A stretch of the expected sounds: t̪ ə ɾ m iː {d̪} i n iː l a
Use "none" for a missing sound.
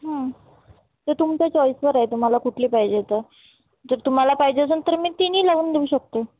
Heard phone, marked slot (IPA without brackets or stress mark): t̪